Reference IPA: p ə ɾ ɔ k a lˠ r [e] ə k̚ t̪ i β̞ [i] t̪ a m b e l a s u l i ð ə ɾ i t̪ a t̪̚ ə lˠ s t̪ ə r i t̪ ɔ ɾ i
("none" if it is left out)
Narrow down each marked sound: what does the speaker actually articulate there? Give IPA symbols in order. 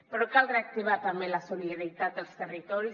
e, a

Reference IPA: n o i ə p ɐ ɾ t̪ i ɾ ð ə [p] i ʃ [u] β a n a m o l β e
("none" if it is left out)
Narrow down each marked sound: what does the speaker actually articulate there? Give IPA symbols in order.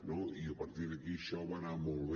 k, ɔ

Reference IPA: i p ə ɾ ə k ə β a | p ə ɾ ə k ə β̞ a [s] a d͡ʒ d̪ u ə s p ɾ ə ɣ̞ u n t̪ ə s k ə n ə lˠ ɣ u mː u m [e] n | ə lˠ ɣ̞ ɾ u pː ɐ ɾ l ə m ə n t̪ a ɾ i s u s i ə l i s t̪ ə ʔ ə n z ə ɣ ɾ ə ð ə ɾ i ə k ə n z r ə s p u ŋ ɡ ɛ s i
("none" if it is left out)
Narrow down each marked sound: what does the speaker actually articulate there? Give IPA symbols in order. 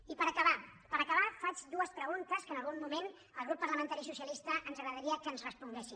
f, e

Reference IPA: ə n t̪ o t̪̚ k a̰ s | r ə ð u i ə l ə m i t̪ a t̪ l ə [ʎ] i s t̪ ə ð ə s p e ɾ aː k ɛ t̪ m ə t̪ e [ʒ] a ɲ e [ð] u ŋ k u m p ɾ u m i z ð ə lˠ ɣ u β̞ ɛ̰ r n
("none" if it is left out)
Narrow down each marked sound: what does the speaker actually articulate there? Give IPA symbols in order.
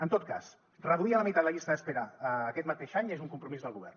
ʎ, ʃ, z

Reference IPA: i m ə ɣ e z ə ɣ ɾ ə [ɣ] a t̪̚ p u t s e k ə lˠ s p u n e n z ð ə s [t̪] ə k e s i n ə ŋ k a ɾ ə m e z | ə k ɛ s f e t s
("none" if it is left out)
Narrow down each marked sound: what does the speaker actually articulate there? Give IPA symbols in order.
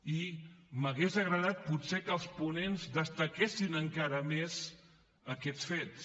ð, t̪

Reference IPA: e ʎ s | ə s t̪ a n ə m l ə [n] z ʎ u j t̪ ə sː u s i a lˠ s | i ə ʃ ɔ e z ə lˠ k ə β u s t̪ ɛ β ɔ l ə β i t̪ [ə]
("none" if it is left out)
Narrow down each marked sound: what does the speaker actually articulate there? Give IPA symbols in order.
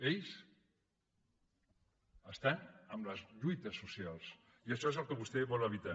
none, a

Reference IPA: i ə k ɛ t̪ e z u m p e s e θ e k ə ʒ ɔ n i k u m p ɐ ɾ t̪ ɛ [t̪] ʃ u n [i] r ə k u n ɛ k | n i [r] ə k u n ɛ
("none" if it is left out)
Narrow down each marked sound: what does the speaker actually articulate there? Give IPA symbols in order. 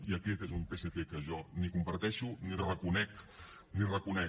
none, i, r

